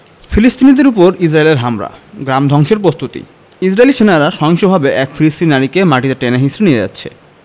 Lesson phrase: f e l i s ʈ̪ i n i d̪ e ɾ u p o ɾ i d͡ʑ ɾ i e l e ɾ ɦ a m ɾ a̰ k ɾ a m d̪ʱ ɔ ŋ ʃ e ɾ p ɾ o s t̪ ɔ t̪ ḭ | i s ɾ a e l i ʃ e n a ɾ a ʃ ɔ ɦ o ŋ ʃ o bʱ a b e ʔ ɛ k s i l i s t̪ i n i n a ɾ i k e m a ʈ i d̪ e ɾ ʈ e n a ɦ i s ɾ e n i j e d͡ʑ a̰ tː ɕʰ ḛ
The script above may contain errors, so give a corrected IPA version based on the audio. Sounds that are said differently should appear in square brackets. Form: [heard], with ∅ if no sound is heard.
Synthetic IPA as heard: f [i] l i s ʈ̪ i n i d̪ e ɾ u p o ɾ i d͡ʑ ɾ [a] e l e ɾ ɦ a m ɾ a̰ [ɡ] ɾ a m d̪ʱ ɔ ŋ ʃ e ɾ p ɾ o s t̪ [u] t̪ ḭ | i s ɾ a e l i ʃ e n a ɾ a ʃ ɔ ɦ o ŋ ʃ o bʱ a b e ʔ ɛ k [f] i l i s t̪ i n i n a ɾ i k e m a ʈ i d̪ e ɾ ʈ e n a ɦ i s ɾ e n i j e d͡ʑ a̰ tː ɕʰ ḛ